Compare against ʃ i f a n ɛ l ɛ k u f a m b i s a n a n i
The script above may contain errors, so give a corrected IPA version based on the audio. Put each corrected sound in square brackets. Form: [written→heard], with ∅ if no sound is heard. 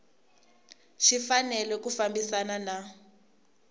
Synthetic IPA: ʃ i f a n ɛ l ɛ k u f a m b i s a n a n [i→a]